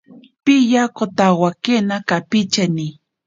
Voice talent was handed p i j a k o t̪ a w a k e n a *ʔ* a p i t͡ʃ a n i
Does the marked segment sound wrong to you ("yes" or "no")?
yes